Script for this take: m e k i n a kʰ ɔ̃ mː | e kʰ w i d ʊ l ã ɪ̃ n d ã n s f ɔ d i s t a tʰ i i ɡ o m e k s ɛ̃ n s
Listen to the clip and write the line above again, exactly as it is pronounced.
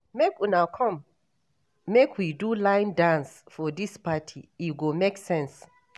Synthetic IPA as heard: m e k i n a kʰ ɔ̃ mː | e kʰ w i d u l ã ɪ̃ n d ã n s f ɔ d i s p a tʰ i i ɡ o m e k s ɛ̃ n s

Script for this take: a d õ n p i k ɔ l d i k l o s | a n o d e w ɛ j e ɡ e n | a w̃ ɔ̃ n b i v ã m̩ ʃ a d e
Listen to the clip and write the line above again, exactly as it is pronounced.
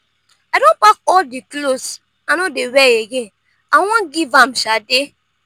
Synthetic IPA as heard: a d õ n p a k ɔ l d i k l o s | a n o d e w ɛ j e ɡ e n | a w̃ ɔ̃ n ɡ i v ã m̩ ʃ a d e

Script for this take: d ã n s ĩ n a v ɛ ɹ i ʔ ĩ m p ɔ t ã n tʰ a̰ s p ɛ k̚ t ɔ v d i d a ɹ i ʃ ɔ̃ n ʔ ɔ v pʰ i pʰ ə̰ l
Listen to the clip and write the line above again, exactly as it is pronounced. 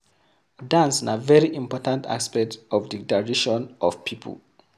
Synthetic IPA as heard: d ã n s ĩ n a v ɛ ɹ i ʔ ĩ m p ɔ t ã n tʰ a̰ s p ɛ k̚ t ɔ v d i d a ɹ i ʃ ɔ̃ n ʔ ɔ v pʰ i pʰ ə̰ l

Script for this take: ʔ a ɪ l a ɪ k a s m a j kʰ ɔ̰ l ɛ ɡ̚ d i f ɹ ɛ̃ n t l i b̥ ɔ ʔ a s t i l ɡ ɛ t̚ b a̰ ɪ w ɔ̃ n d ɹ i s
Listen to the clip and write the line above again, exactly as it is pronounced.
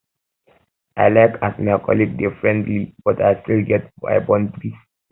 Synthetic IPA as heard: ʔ a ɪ l a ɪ k a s m a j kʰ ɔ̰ l i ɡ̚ d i f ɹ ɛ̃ n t l i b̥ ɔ t a s t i l ɡ ɛ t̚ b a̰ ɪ b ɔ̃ n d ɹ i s

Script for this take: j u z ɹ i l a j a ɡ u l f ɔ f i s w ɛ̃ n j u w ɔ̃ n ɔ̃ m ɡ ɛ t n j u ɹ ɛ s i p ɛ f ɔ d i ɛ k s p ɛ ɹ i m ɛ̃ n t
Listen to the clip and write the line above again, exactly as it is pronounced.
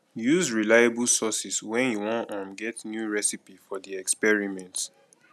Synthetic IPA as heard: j u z ɹ i l a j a b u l s ɔ s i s w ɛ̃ n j u w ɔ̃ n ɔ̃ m ɡ ɛ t n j u ɹ ɛ s i p i f ɔ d i ɛ k s p ɛ ɹ i m ɛ̃ n t

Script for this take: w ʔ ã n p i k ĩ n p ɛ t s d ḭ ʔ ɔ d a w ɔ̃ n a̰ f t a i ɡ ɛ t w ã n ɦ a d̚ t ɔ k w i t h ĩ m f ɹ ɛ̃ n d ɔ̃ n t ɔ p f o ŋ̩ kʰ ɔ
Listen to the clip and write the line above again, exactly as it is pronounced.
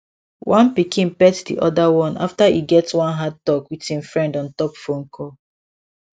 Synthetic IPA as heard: w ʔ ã n p i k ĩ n p ɛ t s d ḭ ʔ ɔ d a w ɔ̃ n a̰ f t a i ɡ ɛ t w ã n ɦ a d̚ t ɔ k w i t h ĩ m f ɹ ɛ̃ n d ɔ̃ n t ɔ p f o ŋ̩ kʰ ɔ

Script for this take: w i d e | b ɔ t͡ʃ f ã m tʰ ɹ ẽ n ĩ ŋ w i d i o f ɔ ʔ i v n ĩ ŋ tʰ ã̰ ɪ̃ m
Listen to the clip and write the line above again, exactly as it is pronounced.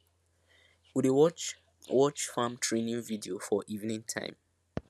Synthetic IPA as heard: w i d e | w ɔ t͡ʃ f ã m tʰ ɹ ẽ n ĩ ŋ v i d i o f ɔ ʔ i v n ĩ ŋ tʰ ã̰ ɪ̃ m

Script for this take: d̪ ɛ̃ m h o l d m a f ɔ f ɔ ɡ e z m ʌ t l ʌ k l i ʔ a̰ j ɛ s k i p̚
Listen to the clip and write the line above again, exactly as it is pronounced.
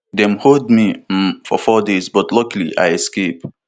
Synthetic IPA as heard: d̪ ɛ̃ m h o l d m i f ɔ f ɔ d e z b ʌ t l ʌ k l i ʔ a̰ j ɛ s k e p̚

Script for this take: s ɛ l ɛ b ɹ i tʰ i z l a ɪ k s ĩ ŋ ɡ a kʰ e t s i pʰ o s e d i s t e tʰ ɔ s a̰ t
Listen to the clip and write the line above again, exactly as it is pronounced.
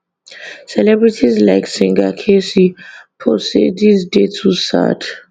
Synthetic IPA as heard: s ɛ l ɛ b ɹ i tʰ i z l a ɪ k s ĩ ŋ ɡ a kʰ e s i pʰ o s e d i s d e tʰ u s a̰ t

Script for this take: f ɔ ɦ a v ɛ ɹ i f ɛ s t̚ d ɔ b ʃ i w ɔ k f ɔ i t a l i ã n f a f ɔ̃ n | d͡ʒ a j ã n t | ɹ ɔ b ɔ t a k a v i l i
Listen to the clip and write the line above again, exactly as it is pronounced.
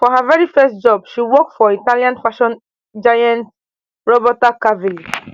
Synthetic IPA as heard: f ɔ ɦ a v ɛ ɹ i f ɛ s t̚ d͡ʒ ɔ b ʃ i w ɔ k f ɔ i t a l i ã n f a ʃ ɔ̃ n | d͡ʒ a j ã n t | ɹ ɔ b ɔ t a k a v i l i

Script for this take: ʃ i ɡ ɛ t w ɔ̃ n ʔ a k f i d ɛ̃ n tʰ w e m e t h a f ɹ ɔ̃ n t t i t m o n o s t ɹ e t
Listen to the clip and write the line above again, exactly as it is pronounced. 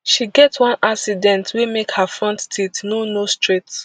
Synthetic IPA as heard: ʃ i ɡ ɛ t w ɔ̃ n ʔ a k s i d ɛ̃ n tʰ w e m e k h a f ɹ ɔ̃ n t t i t n o n o s t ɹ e t

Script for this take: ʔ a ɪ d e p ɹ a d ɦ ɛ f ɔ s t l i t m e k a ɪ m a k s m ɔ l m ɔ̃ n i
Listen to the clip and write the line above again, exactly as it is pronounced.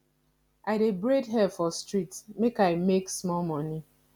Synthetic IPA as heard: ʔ a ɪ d e b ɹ e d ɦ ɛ f ɔ s t ɹ i t m e k a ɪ m e k s m ɔ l m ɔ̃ n i

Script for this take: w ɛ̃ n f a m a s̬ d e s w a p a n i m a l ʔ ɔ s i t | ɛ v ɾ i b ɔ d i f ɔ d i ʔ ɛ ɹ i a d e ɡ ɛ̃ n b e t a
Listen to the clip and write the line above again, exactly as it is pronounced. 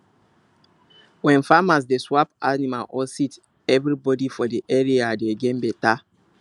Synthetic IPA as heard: w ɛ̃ n f a m a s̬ d e s w a p a n i m a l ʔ ɔ s i t | ɛ v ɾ i b ɔ d i f ɔ d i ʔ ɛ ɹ i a d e ɡ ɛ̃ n b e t a

